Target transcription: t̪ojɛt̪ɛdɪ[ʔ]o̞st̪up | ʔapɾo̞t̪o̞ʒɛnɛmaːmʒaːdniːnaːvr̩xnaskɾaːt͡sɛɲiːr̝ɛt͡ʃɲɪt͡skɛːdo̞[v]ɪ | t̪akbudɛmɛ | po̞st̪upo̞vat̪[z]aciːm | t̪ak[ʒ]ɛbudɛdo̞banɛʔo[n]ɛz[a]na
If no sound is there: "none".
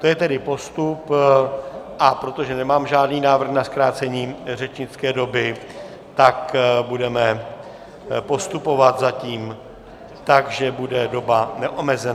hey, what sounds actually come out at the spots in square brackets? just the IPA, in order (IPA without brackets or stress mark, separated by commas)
p, b, z, ʒ, m, ɛ